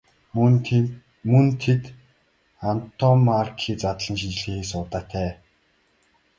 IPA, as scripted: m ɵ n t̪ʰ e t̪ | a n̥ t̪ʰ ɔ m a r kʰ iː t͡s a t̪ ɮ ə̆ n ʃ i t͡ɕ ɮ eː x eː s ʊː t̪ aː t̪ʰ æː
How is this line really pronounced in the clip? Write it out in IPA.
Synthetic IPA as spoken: m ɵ n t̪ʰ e t̪ | a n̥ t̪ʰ ɔ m a r kʰ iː t͡s a t̪ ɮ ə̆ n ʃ i t͡ɕ ɮ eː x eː s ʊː t̪ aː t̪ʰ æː